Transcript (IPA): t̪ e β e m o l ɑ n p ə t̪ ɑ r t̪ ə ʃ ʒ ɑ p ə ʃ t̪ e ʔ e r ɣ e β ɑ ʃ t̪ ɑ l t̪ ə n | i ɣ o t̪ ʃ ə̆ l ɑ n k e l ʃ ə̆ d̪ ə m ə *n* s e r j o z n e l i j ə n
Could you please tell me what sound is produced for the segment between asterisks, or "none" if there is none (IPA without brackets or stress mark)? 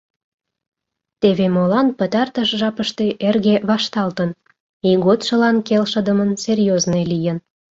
n